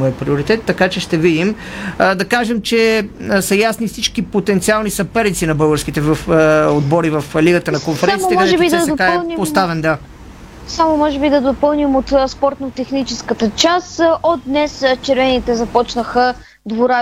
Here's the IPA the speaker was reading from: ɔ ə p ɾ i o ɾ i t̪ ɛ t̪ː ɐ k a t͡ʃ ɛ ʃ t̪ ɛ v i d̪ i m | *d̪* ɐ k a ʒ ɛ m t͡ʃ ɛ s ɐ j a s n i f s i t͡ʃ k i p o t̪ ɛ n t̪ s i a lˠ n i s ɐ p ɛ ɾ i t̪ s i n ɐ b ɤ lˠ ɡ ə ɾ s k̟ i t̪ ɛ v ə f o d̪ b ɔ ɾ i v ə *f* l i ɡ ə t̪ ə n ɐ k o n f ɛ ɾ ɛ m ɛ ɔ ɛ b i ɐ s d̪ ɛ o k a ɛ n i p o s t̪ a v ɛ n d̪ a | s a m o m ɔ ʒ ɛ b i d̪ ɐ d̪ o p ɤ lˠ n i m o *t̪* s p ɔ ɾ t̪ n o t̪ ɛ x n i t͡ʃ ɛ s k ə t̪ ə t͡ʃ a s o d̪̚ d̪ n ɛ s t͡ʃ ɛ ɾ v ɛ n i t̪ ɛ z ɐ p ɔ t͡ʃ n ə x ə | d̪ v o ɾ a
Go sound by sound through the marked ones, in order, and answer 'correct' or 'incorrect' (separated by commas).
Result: correct, correct, correct